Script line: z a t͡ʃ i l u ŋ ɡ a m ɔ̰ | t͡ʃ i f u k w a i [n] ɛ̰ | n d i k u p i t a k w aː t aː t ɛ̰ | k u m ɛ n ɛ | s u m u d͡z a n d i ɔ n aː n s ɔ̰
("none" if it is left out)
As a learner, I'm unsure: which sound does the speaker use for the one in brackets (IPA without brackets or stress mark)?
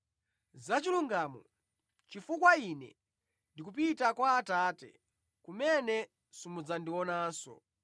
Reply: n